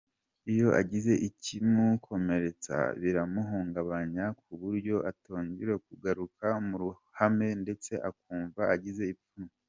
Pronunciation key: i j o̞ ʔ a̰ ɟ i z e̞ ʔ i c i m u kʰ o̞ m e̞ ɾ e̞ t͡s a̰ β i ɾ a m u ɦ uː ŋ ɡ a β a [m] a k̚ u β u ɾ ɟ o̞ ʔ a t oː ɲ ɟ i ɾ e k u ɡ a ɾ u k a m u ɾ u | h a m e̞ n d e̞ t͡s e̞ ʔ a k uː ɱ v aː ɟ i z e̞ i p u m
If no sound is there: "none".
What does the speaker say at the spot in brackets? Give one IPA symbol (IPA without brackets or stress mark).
ɲ